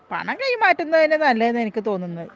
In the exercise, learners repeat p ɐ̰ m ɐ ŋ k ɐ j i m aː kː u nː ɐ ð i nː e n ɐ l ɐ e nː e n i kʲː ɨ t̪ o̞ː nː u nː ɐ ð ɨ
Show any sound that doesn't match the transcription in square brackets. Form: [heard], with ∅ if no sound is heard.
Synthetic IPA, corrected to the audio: p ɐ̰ [ɳ] ɐ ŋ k ɐ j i m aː [tː] u nː ɐ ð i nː e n ɐ [lː] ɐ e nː e n i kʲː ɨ t̪ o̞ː nː u nː ɐ ð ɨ